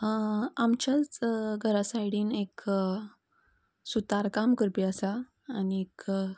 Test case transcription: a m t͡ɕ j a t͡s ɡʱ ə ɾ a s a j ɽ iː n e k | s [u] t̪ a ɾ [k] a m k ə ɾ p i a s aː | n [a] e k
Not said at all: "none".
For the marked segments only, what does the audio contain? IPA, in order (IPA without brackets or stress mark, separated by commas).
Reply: u, k, i